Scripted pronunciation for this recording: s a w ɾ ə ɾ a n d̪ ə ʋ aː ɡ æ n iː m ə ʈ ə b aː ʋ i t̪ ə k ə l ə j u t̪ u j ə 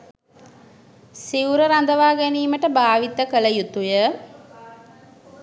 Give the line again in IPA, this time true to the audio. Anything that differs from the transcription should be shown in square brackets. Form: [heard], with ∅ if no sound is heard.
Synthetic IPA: s [i] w ɾ ə ɾ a n d̪ ə ʋ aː ɡ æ n iː m ə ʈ ə b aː ʋ i t̪ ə k ə l ə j u t̪ u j ə